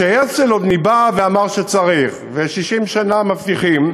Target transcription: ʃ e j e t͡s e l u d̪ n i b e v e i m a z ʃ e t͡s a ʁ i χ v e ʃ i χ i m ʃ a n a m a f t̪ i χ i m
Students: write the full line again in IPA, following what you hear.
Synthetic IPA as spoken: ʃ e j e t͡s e l o d̪ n i b a v e a m a ʁ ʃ e t͡s a ʁ i χ v e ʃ i ʃ i m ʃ a n a m a f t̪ i χ i m